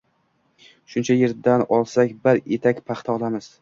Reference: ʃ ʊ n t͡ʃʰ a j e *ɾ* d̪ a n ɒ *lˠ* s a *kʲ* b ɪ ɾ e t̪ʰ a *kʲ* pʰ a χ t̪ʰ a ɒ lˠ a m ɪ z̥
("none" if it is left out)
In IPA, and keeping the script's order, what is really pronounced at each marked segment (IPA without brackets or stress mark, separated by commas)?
ɾ, lˠ, kʲ, kʲ